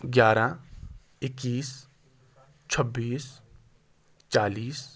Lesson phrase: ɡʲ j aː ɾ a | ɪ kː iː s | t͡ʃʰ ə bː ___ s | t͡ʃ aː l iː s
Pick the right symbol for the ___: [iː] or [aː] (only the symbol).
iː